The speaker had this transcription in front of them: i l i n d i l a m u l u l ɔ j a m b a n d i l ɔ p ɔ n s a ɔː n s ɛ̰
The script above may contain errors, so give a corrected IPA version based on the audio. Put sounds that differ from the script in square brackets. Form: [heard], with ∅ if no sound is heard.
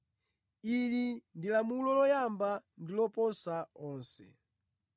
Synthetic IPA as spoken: i l i n d i l a m u l [ɔ] l ɔ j a m b a n d i l ɔ p ɔ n s a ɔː n s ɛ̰